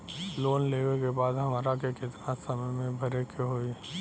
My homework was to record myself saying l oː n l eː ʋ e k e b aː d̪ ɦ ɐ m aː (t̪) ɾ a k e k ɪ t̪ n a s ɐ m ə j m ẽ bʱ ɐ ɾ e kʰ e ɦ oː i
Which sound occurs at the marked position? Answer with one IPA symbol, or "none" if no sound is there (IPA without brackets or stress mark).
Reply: none